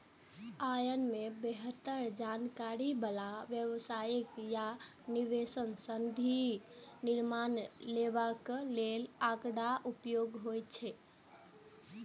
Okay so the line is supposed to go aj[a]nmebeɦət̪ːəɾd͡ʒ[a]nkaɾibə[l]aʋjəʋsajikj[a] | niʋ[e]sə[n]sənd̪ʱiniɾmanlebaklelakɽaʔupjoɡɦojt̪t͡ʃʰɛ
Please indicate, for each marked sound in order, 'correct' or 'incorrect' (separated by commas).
incorrect, correct, correct, correct, correct, correct